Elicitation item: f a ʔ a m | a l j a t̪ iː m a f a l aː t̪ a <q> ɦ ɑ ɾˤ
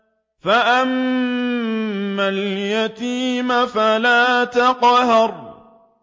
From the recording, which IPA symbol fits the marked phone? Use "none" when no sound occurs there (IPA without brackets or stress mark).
q